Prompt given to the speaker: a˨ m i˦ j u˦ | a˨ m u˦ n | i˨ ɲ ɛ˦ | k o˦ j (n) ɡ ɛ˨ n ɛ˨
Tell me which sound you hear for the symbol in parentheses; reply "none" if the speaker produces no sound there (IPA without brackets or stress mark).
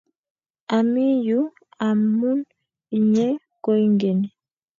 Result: ŋ